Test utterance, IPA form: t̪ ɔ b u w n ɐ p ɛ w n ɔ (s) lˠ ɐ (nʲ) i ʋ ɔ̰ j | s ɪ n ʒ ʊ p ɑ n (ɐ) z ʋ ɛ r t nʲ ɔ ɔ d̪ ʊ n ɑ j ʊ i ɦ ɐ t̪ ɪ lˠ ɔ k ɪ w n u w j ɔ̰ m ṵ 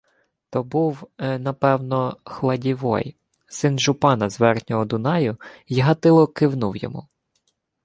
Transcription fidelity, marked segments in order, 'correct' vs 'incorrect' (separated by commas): incorrect, incorrect, correct